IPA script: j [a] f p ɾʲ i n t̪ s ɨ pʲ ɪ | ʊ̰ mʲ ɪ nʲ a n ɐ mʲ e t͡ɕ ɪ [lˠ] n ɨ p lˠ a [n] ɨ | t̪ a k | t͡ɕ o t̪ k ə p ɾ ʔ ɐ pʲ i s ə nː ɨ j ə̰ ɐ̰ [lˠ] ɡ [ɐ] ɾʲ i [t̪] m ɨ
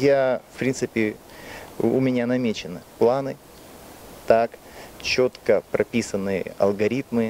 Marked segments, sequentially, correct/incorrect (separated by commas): correct, incorrect, correct, correct, correct, correct